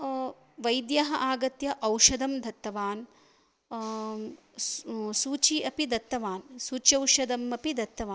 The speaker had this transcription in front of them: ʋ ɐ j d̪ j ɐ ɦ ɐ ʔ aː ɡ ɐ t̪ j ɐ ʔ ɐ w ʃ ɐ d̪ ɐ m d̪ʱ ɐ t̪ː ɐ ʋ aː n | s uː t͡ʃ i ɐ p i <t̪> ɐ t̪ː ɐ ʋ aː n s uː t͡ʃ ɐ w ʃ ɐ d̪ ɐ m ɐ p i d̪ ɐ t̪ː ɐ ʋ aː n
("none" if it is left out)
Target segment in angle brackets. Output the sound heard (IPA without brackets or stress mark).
d̪